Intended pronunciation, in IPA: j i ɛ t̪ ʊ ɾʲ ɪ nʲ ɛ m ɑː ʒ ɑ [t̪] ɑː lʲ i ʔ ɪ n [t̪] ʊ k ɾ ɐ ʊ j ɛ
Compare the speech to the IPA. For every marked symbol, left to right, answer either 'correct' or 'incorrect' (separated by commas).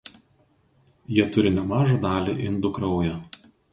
incorrect, incorrect